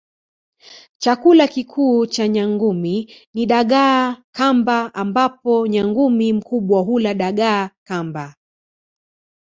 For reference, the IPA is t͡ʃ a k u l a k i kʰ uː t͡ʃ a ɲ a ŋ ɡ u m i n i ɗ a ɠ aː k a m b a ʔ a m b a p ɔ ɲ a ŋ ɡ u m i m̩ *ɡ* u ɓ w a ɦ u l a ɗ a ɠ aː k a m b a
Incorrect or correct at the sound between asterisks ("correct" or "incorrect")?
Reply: incorrect